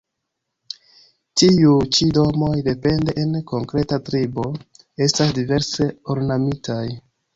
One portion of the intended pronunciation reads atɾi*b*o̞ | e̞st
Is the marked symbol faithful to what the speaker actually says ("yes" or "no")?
yes